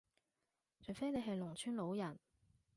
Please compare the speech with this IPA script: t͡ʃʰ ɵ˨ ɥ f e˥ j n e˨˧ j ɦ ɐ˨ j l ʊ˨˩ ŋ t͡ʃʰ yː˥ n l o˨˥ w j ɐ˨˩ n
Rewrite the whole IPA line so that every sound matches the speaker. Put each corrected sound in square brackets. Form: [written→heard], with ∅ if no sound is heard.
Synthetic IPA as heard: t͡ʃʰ ɵ˨ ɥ f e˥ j n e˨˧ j ɦ ɐ˨ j l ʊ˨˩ ŋ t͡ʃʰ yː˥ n l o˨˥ w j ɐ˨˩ n